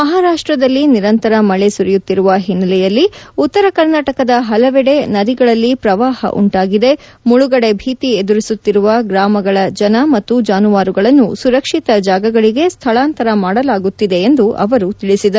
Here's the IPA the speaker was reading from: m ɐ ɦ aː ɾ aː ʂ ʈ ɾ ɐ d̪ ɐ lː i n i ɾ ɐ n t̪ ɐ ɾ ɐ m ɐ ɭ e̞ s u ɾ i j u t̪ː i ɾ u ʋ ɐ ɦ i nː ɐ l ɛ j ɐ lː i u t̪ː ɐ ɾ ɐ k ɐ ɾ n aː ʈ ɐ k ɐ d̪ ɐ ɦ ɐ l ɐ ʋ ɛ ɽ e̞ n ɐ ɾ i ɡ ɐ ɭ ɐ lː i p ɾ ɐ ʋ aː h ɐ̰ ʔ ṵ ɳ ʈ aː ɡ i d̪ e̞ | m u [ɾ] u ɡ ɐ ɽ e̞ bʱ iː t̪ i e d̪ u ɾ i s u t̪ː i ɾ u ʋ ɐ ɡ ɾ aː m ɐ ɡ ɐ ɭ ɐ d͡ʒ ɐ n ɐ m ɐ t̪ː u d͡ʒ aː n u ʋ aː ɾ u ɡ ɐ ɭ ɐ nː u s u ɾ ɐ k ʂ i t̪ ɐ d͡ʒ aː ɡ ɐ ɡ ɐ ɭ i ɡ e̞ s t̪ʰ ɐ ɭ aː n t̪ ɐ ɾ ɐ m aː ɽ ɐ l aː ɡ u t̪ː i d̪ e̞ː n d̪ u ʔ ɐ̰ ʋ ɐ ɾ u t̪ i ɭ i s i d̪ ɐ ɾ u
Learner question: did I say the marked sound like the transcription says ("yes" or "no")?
no